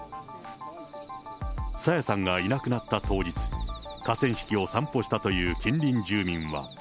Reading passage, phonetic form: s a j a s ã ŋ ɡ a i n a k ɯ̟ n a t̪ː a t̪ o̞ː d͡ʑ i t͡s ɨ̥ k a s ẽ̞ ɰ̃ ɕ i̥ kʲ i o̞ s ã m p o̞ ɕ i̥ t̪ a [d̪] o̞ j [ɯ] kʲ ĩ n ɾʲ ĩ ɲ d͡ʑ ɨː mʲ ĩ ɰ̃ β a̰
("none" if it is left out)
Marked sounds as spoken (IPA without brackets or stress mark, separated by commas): t̪, ɯː